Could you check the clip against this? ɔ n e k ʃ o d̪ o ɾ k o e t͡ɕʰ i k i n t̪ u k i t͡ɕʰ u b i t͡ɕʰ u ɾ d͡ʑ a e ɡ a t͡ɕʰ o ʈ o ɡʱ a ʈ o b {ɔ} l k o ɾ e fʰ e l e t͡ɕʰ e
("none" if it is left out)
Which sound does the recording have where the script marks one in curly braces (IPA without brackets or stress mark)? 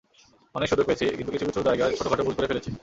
u